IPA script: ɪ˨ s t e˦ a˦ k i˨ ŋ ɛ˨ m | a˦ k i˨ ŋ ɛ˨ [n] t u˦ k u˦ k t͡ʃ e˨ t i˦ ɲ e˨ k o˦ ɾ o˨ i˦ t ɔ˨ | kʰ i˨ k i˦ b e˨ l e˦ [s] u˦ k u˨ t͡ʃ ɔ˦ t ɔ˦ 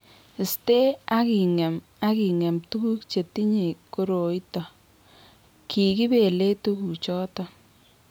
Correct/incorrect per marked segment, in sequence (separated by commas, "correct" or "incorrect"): incorrect, incorrect